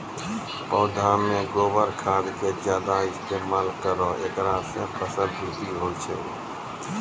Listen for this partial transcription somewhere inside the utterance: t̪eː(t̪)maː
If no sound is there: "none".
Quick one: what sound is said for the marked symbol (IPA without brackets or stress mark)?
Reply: none